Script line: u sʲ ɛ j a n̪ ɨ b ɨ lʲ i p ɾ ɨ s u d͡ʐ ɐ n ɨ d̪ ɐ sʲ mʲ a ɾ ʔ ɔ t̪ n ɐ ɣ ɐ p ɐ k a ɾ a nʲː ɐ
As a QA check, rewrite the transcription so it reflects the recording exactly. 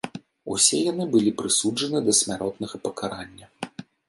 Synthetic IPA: u sʲ ɛ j a n̪ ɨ b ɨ lʲ i p ɾ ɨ s u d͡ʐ ɐ n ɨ d̪ ɐ sʲ mʲ a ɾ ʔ ɔ t̪ n ɐ ɣ ɐ p ɐ k a ɾ a nʲː ɐ